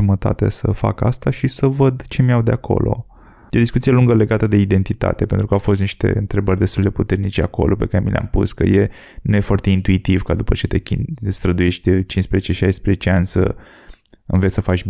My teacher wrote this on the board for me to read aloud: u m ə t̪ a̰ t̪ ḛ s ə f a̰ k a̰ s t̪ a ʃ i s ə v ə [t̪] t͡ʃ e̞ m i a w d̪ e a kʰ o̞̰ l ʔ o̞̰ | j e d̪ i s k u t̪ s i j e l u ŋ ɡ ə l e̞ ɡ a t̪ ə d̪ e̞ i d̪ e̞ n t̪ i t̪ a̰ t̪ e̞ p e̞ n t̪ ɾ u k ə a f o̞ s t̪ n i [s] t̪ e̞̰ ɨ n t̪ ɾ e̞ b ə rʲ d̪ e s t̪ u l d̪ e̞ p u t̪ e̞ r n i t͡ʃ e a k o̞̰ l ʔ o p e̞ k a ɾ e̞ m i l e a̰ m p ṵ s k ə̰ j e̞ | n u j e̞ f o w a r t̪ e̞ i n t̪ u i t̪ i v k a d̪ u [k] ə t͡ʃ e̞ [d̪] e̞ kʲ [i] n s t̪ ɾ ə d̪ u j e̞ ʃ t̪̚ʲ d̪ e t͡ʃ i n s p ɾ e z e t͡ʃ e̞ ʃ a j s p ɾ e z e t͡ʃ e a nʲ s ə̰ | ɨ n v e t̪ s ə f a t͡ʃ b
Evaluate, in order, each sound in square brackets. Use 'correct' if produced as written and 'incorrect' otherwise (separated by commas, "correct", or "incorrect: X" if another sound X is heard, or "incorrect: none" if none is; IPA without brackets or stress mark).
incorrect: d̪, incorrect: ʃ, incorrect: p, incorrect: t̪, correct